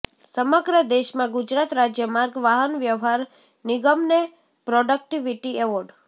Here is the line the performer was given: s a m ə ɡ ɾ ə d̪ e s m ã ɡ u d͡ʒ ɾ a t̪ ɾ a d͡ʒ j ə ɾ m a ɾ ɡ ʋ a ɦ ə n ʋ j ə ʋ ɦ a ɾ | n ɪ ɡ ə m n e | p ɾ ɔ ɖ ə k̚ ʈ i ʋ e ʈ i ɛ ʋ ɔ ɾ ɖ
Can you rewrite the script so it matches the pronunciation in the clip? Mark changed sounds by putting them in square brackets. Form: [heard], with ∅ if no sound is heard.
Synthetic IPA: s [ə] m ə ɡ ɾ ə d̪ e [ʃ] m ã ɡ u d͡ʒ ɾ a t̪ ɾ a d͡ʒ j ə [∅] m a ɾ ɡ ʋ a ɦ ə n ʋ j ə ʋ ɦ a ɾ | n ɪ ɡ ə m n e | p ɾ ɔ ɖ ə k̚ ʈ i ʋ [i] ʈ i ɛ ʋ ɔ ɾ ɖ